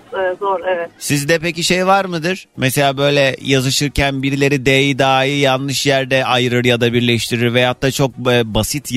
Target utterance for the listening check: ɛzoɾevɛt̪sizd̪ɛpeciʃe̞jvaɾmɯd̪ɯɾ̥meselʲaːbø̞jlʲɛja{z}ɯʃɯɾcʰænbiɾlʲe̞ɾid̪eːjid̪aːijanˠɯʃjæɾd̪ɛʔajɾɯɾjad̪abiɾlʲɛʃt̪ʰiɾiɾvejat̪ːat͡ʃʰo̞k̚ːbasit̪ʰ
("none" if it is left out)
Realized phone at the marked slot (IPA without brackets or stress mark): z